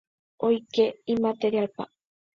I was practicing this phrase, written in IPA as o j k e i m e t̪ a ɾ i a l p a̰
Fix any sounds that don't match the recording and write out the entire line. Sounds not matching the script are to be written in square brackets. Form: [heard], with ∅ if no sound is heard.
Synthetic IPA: o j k e i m [a] t̪ [e] ɾ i a l p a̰